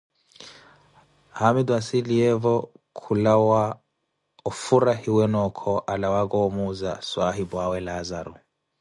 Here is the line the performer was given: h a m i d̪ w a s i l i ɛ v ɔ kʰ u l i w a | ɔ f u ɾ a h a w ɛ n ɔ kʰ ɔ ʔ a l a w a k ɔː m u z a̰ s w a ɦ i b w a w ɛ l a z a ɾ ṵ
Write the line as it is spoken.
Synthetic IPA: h a m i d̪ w a s i l i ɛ v ɔ kʰ u l a w a | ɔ f u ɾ a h i w ɛ n ɔ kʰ ɔ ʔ a l a w a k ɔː m u z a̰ s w a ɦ i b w a w ɛ l a z a ɾ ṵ